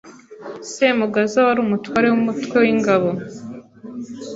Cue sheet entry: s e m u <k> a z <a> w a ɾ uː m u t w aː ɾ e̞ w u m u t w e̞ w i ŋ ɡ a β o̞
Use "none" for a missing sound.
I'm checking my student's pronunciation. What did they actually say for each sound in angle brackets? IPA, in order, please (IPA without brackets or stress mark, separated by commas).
ɡ, a